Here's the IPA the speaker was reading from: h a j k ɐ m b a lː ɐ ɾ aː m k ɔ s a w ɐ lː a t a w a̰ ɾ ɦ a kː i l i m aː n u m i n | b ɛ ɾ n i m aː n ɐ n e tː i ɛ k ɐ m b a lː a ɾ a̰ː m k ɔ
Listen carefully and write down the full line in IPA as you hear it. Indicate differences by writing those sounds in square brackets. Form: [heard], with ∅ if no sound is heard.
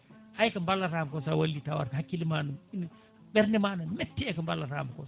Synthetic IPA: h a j k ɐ m b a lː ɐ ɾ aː m k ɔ s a w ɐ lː [i] t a w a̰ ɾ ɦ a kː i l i m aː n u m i n | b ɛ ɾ n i m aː n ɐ [m] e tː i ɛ k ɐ m b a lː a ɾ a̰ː m k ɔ

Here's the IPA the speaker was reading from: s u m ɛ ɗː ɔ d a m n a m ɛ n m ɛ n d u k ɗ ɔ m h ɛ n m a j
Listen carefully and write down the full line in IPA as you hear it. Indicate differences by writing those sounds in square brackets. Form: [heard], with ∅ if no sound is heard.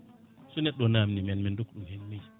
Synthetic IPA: s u [n] ɛ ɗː ɔ [n] a m n [i] m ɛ n m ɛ n d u k ɗ [u] m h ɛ n m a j

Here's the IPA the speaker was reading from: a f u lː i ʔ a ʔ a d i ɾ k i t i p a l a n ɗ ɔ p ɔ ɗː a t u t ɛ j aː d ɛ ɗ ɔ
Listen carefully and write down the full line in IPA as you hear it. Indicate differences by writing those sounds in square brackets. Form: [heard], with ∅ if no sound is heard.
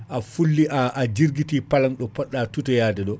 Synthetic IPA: a f u lː i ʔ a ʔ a [d͡ʒ] i ɾ [ɡ] i t i p a l a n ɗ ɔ p ɔ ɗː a t u t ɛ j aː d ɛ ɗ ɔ

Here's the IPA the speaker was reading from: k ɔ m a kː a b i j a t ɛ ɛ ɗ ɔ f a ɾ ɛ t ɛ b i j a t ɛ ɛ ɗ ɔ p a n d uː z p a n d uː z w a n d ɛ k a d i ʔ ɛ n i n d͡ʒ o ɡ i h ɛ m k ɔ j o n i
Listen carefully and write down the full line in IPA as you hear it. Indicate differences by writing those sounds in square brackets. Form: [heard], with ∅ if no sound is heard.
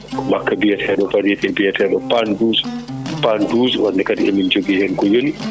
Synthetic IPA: k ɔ m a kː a b i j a t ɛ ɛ ɗ ɔ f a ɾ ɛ t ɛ b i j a t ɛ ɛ ɗ ɔ p a n d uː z p a n d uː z w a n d ɛ k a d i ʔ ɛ [m] i n d͡ʒ o ɡ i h ɛ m k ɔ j o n i

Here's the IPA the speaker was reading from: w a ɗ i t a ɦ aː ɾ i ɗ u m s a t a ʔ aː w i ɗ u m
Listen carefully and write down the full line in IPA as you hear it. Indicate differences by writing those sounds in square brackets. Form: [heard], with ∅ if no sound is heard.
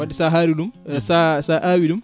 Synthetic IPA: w a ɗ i [s] a ɦ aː ɾ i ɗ u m s a [s] a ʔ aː w i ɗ u m

